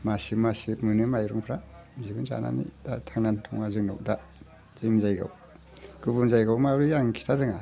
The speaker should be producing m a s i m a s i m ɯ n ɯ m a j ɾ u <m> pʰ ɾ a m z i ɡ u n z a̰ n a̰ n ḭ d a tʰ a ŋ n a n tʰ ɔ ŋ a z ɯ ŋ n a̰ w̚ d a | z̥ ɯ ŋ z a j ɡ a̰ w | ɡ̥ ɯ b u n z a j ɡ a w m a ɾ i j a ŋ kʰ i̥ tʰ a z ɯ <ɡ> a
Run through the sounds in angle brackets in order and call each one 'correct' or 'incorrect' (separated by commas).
incorrect, incorrect